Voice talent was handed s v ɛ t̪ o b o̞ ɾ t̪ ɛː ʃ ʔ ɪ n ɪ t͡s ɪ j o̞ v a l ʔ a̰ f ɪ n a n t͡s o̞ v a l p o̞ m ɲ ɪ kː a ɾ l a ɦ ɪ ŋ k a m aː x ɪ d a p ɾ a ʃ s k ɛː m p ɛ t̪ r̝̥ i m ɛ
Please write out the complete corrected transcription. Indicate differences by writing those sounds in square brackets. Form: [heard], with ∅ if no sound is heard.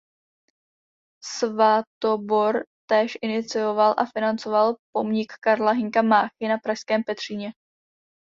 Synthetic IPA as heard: s v [a] t̪ o b o̞ ɾ t̪ ɛː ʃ ʔ ɪ n ɪ t͡s ɪ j o̞ v a l ʔ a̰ f ɪ n a n t͡s o̞ v a l p o̞ m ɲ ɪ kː a ɾ l a ɦ ɪ ŋ k a m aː x ɪ [n] a p ɾ a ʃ s k ɛː m p ɛ t̪ r̝̥ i [ɲ] ɛ